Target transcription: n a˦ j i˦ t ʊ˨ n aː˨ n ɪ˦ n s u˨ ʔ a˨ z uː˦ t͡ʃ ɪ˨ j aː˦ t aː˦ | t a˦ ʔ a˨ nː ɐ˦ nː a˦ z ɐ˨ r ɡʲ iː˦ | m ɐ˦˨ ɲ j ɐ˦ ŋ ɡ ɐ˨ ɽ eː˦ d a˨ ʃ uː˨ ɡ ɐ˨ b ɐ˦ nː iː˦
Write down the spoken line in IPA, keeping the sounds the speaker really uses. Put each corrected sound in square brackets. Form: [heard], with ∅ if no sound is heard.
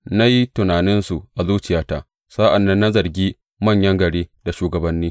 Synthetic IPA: n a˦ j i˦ t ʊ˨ n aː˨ n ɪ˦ n s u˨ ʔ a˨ z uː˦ t͡ʃ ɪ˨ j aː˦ t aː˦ | [s] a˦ ʔ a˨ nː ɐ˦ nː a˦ z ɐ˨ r ɡʲ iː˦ | m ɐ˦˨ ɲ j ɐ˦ ŋ ɡ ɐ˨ ɽ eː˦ d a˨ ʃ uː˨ ɡ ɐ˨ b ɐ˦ nː iː˦